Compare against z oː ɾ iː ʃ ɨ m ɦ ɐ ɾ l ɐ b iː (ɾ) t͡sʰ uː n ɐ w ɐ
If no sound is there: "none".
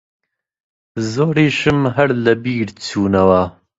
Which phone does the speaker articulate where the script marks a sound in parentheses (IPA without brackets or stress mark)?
ɾ